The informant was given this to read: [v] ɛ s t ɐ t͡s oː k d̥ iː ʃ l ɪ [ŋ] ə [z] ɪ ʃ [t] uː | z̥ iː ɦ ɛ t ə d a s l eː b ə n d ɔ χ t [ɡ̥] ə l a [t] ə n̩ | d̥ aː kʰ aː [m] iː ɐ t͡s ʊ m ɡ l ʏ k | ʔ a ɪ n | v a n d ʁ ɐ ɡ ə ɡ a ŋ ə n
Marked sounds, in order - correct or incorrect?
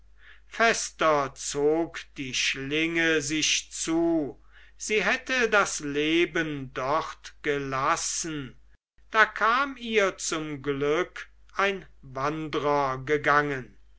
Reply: incorrect: f, correct, correct, incorrect: t͡s, correct, incorrect: s, correct

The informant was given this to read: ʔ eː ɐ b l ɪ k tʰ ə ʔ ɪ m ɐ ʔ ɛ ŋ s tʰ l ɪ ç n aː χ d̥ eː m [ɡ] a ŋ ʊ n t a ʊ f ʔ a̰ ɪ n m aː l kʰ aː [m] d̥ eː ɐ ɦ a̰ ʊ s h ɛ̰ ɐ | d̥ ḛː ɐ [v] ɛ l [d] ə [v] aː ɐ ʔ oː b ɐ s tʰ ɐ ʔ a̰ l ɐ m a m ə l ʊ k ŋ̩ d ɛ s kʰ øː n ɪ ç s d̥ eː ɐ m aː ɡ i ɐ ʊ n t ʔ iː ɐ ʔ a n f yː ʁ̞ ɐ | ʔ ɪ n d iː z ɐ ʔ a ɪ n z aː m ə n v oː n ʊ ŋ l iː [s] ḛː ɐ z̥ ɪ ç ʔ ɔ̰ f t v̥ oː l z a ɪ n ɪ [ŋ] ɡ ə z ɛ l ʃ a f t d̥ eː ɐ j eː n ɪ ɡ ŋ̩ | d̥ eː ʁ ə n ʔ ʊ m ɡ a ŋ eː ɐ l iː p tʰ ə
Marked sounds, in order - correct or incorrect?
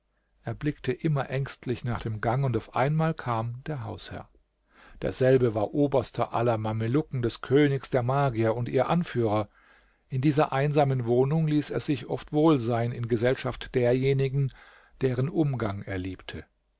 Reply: correct, correct, incorrect: z, incorrect: b, correct, correct, incorrect: n

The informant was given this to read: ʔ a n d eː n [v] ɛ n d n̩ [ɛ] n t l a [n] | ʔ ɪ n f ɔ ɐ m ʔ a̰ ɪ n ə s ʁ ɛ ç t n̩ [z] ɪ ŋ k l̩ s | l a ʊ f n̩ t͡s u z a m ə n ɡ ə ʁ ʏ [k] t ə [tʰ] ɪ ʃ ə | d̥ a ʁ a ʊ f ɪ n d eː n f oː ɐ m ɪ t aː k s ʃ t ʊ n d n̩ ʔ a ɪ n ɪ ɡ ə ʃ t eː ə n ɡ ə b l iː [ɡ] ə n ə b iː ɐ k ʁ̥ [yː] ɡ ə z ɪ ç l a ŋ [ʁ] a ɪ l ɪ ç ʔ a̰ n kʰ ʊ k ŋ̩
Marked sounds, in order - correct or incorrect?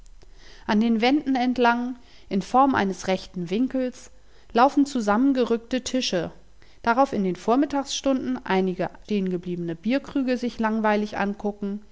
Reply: correct, correct, incorrect: ŋ, incorrect: v, correct, correct, incorrect: b, correct, incorrect: v

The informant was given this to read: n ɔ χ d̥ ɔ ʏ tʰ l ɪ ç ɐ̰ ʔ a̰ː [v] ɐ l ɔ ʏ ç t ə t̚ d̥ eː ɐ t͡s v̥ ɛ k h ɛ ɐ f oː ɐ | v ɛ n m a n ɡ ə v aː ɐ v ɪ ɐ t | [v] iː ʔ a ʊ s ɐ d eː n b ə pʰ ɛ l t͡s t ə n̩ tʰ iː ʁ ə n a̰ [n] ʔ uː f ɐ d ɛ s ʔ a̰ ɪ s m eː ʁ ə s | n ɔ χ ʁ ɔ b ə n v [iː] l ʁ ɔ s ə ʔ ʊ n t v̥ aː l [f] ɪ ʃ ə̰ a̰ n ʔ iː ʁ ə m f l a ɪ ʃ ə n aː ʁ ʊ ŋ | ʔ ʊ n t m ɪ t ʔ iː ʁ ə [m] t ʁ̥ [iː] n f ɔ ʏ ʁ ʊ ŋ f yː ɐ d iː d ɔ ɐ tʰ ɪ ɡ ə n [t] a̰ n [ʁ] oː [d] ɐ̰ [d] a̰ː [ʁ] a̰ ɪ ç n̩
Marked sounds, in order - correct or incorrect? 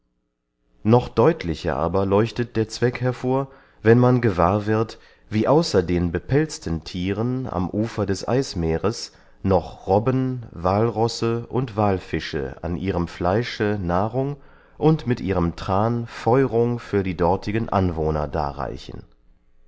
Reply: incorrect: b, correct, incorrect: m, incorrect: aː, correct, correct, incorrect: aː, incorrect: ʔ, incorrect: v, incorrect: n, correct, correct

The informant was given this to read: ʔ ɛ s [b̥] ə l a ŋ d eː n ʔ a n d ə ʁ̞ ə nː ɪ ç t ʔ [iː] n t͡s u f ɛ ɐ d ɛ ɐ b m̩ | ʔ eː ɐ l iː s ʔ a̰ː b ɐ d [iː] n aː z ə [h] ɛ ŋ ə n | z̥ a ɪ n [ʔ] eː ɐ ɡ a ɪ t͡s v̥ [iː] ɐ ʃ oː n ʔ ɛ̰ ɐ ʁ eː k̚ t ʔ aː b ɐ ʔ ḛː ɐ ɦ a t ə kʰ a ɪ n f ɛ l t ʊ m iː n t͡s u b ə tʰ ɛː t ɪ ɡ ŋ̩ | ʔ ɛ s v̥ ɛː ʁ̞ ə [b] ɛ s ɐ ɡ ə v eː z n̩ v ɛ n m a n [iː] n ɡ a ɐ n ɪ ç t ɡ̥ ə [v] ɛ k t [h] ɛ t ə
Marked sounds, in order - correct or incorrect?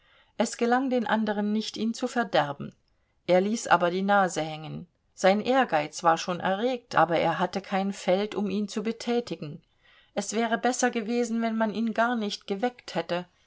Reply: incorrect: ɡ̥, correct, correct, correct, correct, incorrect: aː, correct, correct, correct, correct

